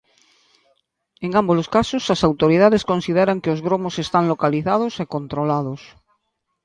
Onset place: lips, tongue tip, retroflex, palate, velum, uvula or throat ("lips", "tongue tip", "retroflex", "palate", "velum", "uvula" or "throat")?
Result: velum